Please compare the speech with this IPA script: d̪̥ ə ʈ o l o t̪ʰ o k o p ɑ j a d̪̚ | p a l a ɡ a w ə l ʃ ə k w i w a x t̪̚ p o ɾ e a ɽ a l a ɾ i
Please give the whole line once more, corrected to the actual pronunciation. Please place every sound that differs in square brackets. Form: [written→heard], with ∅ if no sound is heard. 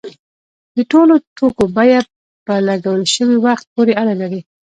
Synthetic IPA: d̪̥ ə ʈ o l o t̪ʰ o k o [p→b] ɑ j a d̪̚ | p [a→ə] l a ɡ a w ə l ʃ ə [k→∅] w i w a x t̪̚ p o ɾ e a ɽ a l a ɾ i

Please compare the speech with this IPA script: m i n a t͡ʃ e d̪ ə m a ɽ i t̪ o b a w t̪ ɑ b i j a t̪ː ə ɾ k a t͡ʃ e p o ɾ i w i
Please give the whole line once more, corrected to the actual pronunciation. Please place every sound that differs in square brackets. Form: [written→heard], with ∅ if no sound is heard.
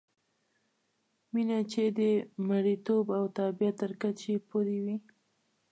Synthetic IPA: m i n a t͡ʃ e d̪ ə m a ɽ i t̪ o b a w t̪ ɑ b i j a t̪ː ə ɾ k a t͡ʃ e p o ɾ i w i

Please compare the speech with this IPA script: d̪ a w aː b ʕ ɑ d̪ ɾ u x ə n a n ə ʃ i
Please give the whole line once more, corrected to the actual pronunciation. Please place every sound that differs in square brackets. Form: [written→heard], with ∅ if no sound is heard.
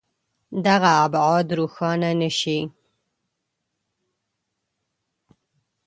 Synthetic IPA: d̪ a [w→ɣ] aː b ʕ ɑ d̪ ɾ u x [ə→ɑ] n a n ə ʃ i

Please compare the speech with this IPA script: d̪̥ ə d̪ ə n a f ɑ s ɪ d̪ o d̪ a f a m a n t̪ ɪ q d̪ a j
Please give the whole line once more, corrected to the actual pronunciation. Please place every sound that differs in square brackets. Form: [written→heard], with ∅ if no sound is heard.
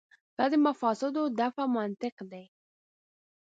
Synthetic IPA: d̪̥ [ə→ɑ] d̪ ə [n→m] a f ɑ s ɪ d̪ o d̪ a f a m a n t̪ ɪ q d̪ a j

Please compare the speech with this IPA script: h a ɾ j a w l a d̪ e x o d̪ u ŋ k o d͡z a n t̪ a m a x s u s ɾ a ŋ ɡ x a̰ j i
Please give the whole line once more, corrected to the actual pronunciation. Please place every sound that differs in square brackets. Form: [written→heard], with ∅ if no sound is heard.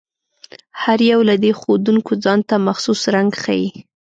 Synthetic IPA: h a ɾ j a w l a d̪ e x o d̪ u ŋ k o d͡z [a→ɑ] n t̪ a m a x s u s ɾ a ŋ ɡ x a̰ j i

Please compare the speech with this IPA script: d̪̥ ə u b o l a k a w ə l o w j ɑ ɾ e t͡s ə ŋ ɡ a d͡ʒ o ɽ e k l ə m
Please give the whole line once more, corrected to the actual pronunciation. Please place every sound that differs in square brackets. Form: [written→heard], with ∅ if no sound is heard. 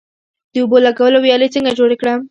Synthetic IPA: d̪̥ ə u b o l a [k→ɡ] a w ə l o w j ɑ [ɾ→l] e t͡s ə ŋ ɡ a d͡ʒ o ɽ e k [l→ɽ] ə m

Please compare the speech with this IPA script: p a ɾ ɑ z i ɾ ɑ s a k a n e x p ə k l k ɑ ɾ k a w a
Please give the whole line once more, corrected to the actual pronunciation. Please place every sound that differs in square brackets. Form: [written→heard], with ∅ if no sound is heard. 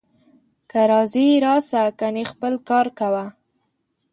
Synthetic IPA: [p→k] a ɾ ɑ z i ɾ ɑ s a k a n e x p ə [k→∅] l k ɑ ɾ k a w a

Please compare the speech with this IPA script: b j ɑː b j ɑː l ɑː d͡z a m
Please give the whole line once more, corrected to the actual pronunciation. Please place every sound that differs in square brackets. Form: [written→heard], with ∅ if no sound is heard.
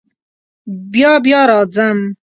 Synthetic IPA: b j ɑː b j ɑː [l→ɾ] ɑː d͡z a m

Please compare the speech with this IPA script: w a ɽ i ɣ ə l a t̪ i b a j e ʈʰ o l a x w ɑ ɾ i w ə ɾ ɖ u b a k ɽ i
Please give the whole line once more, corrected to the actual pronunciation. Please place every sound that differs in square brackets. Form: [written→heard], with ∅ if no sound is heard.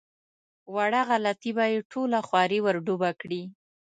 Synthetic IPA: w a ɽ [i→a] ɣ [ə→a] l a t̪ i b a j e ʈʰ o l a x w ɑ ɾ i w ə ɾ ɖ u b a k ɽ i

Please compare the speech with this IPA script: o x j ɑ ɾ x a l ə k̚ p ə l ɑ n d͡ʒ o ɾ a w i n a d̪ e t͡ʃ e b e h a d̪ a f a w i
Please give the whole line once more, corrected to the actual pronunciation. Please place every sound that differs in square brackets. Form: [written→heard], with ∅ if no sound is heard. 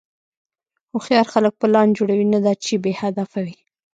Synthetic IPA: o x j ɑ ɾ x a l ə k̚ p ə l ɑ n d͡ʒ o [ɾ→ɽ] a w i n a d̪ [e→a] t͡ʃ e b e h a d̪ a f a w i

